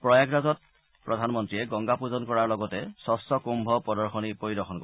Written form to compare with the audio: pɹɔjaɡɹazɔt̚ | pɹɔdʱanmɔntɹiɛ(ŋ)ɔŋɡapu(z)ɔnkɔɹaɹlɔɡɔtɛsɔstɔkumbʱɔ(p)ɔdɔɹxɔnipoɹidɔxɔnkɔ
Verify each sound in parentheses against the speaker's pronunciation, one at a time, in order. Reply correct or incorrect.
incorrect, correct, correct

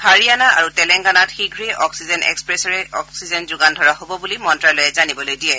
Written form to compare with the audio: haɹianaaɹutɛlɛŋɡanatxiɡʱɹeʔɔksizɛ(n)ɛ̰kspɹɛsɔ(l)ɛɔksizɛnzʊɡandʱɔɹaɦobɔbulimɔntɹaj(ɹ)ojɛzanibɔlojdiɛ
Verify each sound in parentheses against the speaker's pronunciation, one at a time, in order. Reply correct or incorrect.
correct, incorrect, incorrect

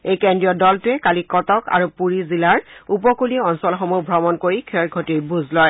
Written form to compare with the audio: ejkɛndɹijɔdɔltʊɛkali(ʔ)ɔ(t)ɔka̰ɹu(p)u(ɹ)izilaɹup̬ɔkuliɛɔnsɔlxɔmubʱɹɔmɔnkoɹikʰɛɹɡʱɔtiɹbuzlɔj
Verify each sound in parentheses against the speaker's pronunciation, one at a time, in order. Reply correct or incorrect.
incorrect, correct, correct, correct

